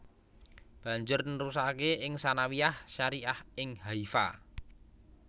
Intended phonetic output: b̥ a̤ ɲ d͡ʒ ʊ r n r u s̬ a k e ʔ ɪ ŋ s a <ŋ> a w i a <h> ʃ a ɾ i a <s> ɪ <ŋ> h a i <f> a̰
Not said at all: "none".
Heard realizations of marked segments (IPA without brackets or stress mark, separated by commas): n, h, h, ŋ, f